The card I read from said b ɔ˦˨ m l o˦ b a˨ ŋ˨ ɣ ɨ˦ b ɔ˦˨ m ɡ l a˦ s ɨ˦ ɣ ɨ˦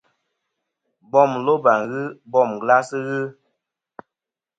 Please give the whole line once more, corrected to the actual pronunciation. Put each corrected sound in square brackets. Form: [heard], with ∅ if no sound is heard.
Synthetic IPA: b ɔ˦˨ m l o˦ b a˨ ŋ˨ ɣ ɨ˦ b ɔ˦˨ m ɡ l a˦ s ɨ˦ ɣ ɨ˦